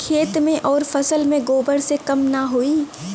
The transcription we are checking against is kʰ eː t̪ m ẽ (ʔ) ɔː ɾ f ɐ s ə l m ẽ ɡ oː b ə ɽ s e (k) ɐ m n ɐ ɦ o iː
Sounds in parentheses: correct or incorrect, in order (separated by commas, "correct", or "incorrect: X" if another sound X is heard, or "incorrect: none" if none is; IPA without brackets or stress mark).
correct, correct